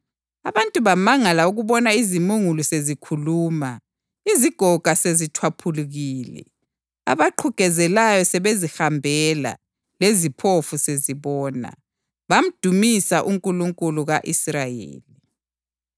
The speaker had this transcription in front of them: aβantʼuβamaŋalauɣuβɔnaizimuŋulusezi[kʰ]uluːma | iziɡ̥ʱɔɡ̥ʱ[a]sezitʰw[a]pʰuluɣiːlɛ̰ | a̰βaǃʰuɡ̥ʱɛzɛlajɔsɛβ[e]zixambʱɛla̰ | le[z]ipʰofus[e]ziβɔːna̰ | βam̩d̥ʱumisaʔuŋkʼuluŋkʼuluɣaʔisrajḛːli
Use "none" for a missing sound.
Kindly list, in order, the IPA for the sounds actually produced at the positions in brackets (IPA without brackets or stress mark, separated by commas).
kʰ, a, a, e, z, e